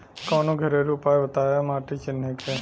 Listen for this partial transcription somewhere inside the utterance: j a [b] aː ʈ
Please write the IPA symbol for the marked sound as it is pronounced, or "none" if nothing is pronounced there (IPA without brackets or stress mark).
m